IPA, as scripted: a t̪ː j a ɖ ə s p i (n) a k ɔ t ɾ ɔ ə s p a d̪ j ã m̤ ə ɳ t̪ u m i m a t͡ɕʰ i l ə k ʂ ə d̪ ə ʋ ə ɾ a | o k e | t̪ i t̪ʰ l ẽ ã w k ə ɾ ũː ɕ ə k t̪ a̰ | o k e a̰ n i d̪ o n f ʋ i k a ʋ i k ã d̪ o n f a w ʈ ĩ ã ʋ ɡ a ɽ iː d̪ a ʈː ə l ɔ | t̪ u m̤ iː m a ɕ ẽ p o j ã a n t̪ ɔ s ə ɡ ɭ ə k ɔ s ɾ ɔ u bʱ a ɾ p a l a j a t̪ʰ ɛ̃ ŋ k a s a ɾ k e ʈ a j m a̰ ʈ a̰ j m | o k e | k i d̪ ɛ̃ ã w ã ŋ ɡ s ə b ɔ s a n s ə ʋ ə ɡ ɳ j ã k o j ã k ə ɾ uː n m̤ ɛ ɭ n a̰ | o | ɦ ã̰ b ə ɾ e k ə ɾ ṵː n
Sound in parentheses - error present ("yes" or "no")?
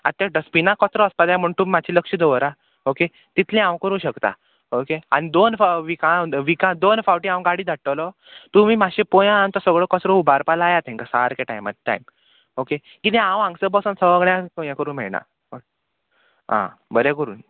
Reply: no